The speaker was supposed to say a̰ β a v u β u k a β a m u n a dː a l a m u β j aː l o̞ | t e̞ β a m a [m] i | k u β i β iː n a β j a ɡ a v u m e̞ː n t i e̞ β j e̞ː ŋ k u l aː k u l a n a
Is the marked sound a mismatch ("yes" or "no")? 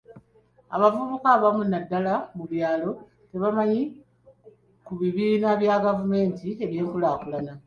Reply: yes